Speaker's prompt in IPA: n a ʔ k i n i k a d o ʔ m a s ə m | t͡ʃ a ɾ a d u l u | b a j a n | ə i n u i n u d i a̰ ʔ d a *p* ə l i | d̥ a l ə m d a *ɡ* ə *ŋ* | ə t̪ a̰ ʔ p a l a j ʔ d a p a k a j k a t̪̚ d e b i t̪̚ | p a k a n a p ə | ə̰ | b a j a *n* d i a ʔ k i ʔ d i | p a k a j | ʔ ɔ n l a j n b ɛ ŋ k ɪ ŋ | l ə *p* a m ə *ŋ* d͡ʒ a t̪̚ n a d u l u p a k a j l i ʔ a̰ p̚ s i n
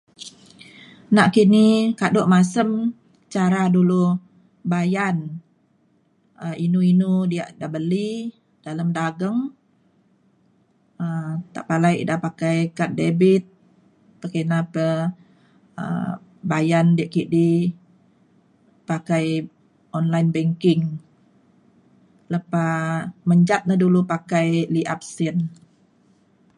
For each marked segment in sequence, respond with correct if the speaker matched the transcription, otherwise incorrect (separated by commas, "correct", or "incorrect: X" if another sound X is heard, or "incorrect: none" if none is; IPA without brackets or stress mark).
incorrect: b, correct, correct, correct, correct, incorrect: ɲ